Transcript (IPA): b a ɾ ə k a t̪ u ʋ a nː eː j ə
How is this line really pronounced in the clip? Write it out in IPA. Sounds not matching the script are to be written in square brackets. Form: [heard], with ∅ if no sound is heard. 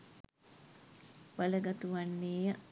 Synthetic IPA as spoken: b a [l] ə [ɡ] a t̪ u ʋ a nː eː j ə